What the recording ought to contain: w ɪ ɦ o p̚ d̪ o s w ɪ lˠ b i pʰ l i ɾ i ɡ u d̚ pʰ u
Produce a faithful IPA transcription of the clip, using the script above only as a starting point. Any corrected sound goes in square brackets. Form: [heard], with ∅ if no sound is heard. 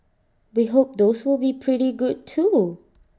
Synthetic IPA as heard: w [i] ɦ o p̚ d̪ o s w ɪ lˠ b i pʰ [ɹ] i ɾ i ɡ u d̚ [tʰ] u